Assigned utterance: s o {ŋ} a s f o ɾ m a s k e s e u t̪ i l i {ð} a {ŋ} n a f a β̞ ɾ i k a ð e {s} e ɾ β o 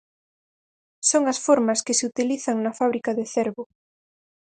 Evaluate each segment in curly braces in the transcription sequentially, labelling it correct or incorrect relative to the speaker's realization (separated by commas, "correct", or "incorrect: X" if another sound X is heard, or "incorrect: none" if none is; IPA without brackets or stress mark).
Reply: correct, incorrect: θ, correct, incorrect: θ